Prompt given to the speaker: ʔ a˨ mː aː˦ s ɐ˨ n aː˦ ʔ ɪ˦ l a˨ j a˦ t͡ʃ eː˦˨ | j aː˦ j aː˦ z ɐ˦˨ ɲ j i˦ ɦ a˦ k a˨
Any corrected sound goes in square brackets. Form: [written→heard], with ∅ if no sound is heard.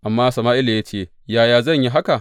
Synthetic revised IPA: ʔ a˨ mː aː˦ s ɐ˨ [n→m] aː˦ ʔ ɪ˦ l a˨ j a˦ t͡ʃ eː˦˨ | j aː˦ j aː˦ z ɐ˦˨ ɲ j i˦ ɦ a˦ k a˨